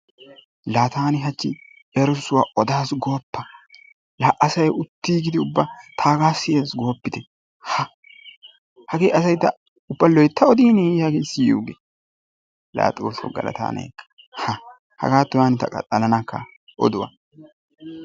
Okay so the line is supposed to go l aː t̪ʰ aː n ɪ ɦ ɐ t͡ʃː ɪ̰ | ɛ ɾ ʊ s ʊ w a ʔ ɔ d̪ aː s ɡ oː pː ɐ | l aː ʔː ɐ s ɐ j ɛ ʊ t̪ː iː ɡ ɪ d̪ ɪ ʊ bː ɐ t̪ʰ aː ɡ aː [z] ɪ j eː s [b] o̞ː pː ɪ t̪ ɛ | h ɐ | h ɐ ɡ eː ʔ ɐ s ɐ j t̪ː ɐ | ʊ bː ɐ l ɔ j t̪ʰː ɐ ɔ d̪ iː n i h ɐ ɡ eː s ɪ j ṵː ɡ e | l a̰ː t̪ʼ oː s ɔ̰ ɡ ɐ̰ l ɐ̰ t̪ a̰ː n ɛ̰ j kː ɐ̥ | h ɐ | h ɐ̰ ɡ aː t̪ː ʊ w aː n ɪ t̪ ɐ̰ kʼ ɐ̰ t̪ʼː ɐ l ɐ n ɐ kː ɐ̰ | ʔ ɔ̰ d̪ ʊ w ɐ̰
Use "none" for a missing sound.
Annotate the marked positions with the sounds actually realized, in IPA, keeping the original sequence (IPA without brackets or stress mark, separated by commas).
s, ɡ